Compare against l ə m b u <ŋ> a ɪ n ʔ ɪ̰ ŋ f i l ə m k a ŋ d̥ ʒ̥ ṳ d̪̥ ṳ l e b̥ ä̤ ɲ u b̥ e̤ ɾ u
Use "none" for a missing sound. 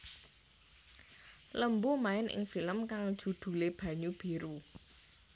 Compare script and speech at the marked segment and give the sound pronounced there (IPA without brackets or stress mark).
m